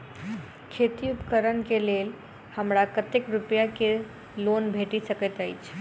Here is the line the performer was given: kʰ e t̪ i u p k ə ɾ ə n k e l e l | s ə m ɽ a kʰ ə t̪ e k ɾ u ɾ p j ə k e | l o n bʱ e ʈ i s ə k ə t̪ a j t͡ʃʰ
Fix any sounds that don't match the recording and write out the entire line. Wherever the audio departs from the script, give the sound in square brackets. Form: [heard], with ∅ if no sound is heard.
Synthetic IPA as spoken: kʰ e t̪ i u p k ə ɾ ə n k e l e l | [h] ə m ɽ a [k] ə t̪ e k ɾ u [∅] p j [a] k e | l o n bʱ e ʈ i s ə k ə t̪ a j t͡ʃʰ